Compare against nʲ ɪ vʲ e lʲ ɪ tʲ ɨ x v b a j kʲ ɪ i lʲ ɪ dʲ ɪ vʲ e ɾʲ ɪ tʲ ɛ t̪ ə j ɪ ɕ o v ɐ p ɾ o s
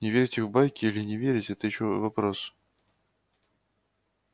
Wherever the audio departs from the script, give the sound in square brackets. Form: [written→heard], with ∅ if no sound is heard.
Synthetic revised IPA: nʲ ɪ vʲ e [lʲ→ɾʲ] ɪ tʲ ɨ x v b a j kʲ ɪ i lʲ ɪ [dʲ→nʲ] ɪ vʲ e ɾʲ ɪ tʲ ɛ t̪ ə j ɪ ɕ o v ɐ p ɾ o s

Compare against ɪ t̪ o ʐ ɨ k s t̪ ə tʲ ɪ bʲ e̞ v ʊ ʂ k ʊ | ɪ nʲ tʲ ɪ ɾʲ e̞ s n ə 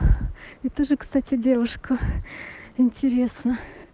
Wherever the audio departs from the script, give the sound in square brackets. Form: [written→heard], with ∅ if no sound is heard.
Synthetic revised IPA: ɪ t̪ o ʐ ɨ k s t̪ [ə→a] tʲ ɪ [bʲ→dʲ] e̞ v ʊ ʂ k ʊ | ɪ nʲ tʲ ɪ ɾʲ e̞ s n ə

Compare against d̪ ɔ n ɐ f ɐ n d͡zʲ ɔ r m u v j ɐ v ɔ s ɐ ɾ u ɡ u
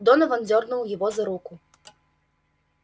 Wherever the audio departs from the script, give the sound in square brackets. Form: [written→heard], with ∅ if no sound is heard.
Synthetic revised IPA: d̪ ɔ n ɐ [f→v] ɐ n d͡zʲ ɔ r [m→n] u [v→w] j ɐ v ɔ [s→z] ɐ ɾ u [ɡ→k] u

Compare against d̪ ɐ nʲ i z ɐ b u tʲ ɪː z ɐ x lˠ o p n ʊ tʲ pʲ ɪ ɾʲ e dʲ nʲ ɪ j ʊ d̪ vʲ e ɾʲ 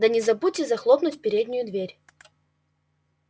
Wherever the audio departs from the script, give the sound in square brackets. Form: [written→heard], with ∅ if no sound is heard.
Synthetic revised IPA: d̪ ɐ nʲ [i→ɪ] z ɐ b u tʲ [ɪː→ɪ] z ɐ x lˠ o p n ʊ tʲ pʲ ɪ ɾʲ e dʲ nʲ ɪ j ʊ d̪ vʲ e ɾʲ

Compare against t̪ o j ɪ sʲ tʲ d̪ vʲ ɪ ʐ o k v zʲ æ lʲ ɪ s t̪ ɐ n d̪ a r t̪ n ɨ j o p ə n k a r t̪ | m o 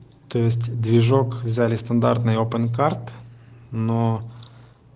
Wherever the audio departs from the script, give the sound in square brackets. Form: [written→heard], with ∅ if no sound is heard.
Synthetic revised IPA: t̪ o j ɪ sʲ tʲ d̪ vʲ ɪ ʐ o k v zʲ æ lʲ ɪ s t̪ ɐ n d̪ a r t̪ n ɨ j o p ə n k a r t̪ | [m→n] o

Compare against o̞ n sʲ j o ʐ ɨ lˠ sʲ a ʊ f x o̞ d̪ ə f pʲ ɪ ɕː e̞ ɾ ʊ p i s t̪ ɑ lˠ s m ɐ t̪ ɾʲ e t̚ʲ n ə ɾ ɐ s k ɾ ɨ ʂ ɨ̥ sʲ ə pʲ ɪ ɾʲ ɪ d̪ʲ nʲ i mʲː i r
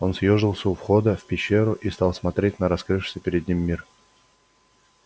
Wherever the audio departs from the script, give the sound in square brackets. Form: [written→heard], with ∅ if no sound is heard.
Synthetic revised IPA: o̞ n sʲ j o ʐ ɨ lˠ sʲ [a→ə] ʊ f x o̞ d̪ ə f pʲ ɪ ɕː e̞ ɾ ʊ [p→ʔ] i s t̪ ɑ lˠ s m ɐ t̪ ɾʲ e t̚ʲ n ə ɾ ɐ s k ɾ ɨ ʂ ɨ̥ sʲ ə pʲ ɪ ɾʲ ɪ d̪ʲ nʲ i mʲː i r

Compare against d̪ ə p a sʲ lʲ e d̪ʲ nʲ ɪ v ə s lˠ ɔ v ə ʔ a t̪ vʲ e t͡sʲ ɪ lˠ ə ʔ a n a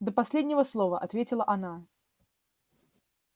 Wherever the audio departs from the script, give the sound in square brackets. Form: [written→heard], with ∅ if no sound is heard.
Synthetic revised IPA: d̪ ə p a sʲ lʲ e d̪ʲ nʲ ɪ v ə s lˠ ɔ v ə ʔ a t̪ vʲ e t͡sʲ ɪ lˠ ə ʔ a n a

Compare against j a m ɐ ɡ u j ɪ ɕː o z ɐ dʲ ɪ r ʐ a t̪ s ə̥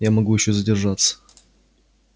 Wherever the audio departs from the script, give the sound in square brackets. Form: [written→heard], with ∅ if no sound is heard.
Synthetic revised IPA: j a m ɐ ɡ u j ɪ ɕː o z [ɐ→ə] dʲ ɪ r ʐ a t̪ s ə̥

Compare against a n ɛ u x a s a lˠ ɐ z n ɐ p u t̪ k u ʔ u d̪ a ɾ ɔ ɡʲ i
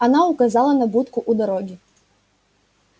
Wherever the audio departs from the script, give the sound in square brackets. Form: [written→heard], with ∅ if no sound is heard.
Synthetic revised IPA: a n [ɛ→a] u [x→k] a [s→z] a lˠ ɐ [z→∅] n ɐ [p→b] u t̪ k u ʔ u d̪ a ɾ ɔ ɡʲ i

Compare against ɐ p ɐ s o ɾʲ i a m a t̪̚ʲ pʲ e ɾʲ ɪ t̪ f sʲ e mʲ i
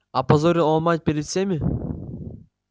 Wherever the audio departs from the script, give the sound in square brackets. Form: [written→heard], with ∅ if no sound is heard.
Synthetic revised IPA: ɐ p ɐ [s→z] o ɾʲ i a m a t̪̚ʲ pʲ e ɾʲ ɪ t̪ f sʲ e mʲ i

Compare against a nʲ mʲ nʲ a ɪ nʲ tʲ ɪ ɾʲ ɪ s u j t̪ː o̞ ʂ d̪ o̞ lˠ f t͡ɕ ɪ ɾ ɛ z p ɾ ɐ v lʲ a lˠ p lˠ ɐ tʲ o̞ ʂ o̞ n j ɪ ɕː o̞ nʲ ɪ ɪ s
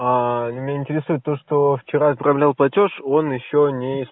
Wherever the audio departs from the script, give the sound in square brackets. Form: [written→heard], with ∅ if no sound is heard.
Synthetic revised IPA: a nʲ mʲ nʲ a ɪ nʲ tʲ ɪ ɾʲ ɪ s u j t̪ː o̞ ʂ [d̪→t̪] o̞ [lˠ→∅] f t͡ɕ ɪ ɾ [ɛ→a] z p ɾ ɐ v lʲ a lˠ p lˠ ɐ tʲ o̞ ʂ o̞ n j ɪ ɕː o̞ nʲ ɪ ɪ s

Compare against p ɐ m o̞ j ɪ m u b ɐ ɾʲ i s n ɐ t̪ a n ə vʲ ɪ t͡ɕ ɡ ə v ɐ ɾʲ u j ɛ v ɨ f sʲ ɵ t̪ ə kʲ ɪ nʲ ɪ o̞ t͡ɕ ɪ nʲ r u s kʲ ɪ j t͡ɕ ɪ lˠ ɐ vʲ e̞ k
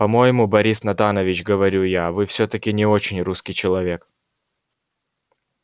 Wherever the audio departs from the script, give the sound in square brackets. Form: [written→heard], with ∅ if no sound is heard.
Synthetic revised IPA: p ɐ m o̞ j ɪ m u b ɐ ɾʲ i s n ɐ t̪ a n ə vʲ ɪ t͡ɕ ɡ ə v ɐ ɾʲ u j [ɛ→a] v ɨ f sʲ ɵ t̪ ə kʲ ɪ nʲ ɪ o̞ t͡ɕ ɪ nʲ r u s kʲ ɪ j t͡ɕ ɪ lˠ ɐ vʲ e̞ k

